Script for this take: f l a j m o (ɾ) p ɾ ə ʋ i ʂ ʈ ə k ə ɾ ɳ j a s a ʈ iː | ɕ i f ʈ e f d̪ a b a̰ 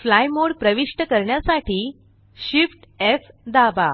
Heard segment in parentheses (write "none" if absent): ɽ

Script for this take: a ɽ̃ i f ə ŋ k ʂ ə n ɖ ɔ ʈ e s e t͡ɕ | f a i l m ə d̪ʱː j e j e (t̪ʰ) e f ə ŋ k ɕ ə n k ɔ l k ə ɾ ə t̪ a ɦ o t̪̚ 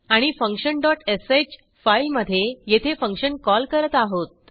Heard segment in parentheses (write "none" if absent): t̪ʰ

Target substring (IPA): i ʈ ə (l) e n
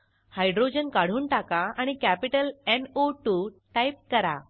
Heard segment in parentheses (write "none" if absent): l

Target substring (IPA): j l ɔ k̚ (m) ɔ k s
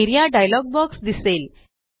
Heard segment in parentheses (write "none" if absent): b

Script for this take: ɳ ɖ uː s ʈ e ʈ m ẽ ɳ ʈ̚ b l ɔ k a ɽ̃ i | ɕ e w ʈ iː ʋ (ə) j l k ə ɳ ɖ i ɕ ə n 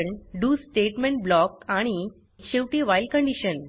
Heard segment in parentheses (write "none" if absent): a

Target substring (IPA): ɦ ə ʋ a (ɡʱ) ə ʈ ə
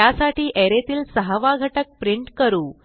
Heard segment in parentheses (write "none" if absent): ɡʱ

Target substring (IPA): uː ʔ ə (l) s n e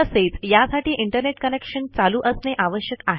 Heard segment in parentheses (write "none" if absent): none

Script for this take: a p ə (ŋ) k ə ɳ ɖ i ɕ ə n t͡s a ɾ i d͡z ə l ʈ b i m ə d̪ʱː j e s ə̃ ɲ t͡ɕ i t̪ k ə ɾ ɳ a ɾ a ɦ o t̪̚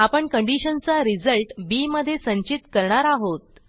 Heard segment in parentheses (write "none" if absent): ɳ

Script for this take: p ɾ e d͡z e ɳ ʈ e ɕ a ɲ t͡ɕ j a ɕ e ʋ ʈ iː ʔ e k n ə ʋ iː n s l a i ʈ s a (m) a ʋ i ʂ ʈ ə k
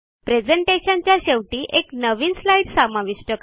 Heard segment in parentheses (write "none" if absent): m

